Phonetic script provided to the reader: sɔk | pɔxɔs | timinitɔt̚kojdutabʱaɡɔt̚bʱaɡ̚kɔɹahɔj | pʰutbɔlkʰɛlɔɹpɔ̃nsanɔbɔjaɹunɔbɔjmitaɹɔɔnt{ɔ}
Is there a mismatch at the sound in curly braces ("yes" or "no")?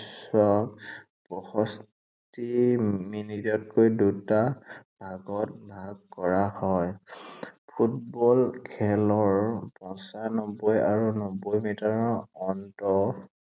no